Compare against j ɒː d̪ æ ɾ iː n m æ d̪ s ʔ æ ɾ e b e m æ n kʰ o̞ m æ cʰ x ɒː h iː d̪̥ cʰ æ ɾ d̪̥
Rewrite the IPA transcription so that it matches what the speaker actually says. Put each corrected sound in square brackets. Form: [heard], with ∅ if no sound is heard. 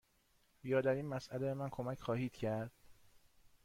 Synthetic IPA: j ɒː d̪ æ ɾ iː n m æ [∅] s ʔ æ [l] e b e m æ n kʰ o̞ m æ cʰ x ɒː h iː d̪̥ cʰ æ ɾ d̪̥